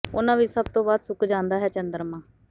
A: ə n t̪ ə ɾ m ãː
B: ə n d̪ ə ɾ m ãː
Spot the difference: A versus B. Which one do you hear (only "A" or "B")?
B